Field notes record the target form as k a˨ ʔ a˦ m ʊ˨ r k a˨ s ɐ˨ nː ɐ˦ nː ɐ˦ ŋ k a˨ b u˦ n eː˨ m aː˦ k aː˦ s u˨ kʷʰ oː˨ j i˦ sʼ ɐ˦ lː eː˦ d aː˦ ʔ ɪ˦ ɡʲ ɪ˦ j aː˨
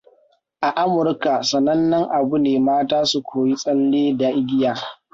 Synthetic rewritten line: ʔ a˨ ʔ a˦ m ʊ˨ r k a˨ s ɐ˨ n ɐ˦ nː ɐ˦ ŋ ʔ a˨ b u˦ n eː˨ m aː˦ t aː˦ s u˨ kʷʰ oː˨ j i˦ sʼ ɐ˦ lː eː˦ d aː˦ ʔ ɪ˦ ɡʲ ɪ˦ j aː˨